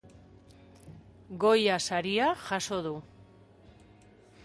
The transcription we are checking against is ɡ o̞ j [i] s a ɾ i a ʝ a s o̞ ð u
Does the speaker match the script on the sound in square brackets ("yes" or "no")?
no